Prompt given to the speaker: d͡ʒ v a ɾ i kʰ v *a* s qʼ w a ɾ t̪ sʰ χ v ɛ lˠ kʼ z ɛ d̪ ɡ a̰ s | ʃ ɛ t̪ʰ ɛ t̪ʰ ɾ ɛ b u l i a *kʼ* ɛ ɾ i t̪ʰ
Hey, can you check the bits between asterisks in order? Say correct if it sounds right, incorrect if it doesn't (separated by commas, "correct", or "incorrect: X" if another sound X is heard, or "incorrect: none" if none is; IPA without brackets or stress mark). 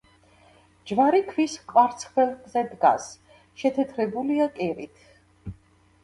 incorrect: i, correct